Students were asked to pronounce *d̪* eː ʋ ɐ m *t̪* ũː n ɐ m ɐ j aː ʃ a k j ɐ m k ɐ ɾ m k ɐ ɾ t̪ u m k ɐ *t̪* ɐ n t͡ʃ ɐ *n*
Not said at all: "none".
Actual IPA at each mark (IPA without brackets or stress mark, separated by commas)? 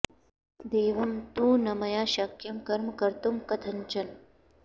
d̪, t̪, t̪ʰ, n